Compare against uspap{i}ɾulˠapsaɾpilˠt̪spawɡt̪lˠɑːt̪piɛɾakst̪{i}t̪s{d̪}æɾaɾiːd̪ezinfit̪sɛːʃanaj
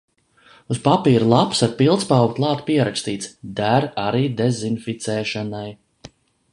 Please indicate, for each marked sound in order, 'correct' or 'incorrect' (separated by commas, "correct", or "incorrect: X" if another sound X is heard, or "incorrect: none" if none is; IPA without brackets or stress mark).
incorrect: iː, incorrect: iː, correct